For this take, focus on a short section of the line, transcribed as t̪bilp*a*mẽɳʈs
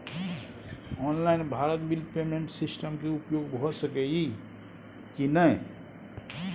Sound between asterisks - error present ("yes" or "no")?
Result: yes